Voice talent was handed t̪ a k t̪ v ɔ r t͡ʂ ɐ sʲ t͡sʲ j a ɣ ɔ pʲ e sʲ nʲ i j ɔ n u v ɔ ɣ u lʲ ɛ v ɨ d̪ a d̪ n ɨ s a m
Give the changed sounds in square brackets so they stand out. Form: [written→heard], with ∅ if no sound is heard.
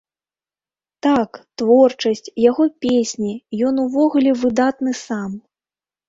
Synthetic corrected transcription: t̪ a k t̪ v ɔ r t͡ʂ ɐ sʲ t͡sʲ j a ɣ ɔ pʲ e sʲ nʲ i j ɔ n u v ɔ ɣ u lʲ ɛ v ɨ d̪ a [d̪→t̪] n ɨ s a m